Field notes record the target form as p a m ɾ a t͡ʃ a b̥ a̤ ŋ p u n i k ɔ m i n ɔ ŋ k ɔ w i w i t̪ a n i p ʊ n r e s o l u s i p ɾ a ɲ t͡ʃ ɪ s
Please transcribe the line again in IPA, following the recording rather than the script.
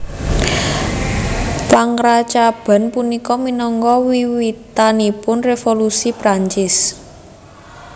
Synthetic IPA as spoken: p a ŋ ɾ a t͡ʃ a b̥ a̤ n p u n i k ɔ m i n ɔ ŋ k ɔ w i w i t̪ a n i p ʊ n r e f o l u s i p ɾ a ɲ t͡ʃ ɪ s